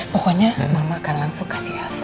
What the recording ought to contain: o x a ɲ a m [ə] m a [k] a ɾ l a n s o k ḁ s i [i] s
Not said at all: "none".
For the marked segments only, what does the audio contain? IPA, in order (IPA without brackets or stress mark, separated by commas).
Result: a, k, a